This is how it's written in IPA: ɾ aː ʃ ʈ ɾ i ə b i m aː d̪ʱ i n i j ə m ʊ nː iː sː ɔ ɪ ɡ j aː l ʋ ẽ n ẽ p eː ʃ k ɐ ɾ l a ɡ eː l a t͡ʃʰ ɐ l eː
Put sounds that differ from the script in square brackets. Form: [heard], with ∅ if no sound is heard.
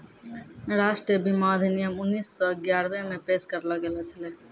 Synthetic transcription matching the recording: ɾ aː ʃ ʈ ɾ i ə b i m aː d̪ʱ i n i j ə m ʊ nː iː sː ɔ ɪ ɡ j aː [ɾ] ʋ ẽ [m] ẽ p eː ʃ k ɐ ɾ l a ɡ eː l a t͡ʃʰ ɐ l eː